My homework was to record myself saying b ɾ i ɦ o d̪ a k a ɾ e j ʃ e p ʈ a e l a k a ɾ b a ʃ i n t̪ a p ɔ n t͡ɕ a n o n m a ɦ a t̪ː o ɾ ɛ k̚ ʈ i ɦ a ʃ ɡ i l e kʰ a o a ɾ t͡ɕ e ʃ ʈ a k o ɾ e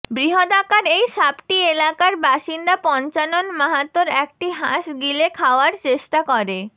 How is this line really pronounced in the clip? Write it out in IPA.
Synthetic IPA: b ɾ i ɦ o d̪ a k a ɾ e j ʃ a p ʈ i e l a k a ɾ b a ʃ i n d̪ a p ɔ n t͡ɕ a n o n m a ɦ a t̪ː o ɾ ɛ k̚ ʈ i ɦ a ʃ ɡ i l e kʰ a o a ɾ t͡ɕ e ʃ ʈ a k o ɾ e

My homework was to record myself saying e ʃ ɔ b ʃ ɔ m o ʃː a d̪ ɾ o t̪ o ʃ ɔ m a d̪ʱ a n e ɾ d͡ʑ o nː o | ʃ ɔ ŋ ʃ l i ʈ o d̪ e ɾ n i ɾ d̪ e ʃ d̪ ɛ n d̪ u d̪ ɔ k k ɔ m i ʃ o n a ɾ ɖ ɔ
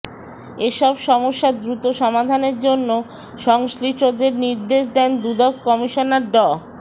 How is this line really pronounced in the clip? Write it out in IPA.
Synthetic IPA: e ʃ ɔ b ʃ ɔ m o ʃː a d̪ ɾ u t̪ o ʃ ɔ m a d̪ʱ a n e ɾ d͡ʑ o nː o | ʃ ɔ ŋ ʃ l i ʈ o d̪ e ɾ n i ɾ d̪ e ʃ d̪ ɛ n d̪ u d̪ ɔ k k ɔ m i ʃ o n a ɾ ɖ ɔ

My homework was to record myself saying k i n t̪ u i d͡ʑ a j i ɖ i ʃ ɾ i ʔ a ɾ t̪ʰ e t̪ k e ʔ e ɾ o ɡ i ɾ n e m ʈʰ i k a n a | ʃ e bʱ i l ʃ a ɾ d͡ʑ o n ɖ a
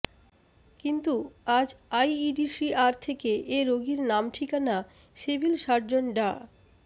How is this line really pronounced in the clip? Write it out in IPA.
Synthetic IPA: k i n t̪ u a d͡ʑ a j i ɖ i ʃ ɾ i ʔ a ɾ t̪ʰ e k e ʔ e ɾ o ɡ i ɾ n a m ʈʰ i k a n a | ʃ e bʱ i l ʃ a ɾ d͡ʑ o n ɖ a

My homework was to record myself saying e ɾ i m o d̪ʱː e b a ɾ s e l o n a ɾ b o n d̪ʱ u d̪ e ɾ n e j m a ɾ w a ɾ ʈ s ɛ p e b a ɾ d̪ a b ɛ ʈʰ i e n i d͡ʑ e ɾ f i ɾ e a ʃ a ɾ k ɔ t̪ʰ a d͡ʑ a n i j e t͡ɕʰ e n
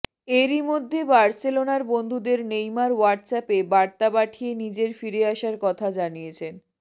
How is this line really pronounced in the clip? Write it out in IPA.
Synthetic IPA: e ɾ i m o d̪ʱː e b a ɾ s e l o n a ɾ b o n d̪ʱ u d̪ e ɾ n e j m a ɾ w a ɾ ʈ s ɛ p e b a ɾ t̪ a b a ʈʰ i e n i d͡ʑ e ɾ f i ɾ e a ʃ a ɾ k ɔ t̪ʰ a d͡ʑ a n i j e t͡ɕʰ e n

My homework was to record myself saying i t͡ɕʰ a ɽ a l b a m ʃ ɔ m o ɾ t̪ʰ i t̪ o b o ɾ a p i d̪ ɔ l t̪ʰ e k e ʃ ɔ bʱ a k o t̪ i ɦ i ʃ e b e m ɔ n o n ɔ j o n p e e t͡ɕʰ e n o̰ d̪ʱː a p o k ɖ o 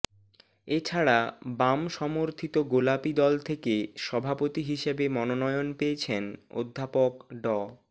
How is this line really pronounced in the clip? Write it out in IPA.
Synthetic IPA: e t͡ɕʰ a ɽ a b a m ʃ ɔ m o ɾ t̪ʰ i t̪ o ɡ o l a p i d̪ ɔ l t̪ʰ e k e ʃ ɔ bʱ a p o t̪ i ɦ i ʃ e b e m ɔ n o n ɔ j o n p e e t͡ɕʰ e n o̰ d̪ʱː a p o k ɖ ɔ

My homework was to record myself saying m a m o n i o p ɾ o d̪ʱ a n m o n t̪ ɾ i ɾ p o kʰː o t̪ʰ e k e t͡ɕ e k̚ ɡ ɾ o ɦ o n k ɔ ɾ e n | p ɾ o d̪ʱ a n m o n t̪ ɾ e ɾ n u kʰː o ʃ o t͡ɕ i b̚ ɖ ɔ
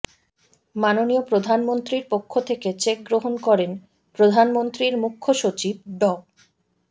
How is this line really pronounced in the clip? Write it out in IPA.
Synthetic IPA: m a n o n i o p ɾ o d̪ʱ a n m o n t̪ ɾ i ɾ p o kʰː o t̪ʰ e k e t͡ɕ e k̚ ɡ ɾ o ɦ o n k ɔ ɾ e n | p ɾ o d̪ʱ a n m o n t̪ ɾ i ɾ m u kʰː o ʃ o t͡ɕ i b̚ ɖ ɔ

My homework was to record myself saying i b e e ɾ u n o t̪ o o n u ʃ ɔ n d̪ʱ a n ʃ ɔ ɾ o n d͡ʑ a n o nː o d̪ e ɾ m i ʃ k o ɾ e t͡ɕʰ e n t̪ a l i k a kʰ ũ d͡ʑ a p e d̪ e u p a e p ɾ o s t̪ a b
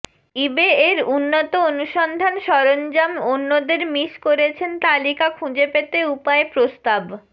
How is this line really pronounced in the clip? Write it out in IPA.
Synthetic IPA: i b e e ɾ u nː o t̪ o o n u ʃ ɔ n d̪ʱ a n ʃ ɔ ɾ o n d͡ʑ a m o nː o d̪ e ɾ m i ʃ k o ɾ e t͡ɕʰ e n t̪ a l i k a kʰ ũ d͡ʑ e p e t̪ e u p a e p ɾ o s t̪ a b

